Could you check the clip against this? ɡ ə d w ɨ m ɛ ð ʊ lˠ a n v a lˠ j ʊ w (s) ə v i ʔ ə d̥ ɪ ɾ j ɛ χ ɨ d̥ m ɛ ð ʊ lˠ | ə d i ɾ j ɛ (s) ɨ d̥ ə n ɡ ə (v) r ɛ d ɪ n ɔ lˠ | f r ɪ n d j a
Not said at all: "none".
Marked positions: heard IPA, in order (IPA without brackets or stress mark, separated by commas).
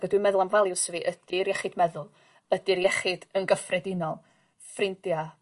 s, χ, f